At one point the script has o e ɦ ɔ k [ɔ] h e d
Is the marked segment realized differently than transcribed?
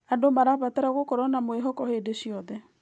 no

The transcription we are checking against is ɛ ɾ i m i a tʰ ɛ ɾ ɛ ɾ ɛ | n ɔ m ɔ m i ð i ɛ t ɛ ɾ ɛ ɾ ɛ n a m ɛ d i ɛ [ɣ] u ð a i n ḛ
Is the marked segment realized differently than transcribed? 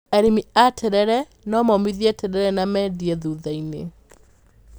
yes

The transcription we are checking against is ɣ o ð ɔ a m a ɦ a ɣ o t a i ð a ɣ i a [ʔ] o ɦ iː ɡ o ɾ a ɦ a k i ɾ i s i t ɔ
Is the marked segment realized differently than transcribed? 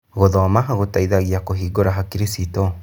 yes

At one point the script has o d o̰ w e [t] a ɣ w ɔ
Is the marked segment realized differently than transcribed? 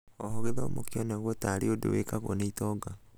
yes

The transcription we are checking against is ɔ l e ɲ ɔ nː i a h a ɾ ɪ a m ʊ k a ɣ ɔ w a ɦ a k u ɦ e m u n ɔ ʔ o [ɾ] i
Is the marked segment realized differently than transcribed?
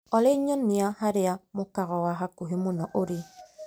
no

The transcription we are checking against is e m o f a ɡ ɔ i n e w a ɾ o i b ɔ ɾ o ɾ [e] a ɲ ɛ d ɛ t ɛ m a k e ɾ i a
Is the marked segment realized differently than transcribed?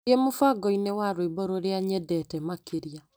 no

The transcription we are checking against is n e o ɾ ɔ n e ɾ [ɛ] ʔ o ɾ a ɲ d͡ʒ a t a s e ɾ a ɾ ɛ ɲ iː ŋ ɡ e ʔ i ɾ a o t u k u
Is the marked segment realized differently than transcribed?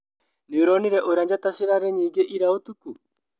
no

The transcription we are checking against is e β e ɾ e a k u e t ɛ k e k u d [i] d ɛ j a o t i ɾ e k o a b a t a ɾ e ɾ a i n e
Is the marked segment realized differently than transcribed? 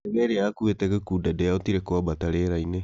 yes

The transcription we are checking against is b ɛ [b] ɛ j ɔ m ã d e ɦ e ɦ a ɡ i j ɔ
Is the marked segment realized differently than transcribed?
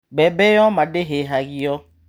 no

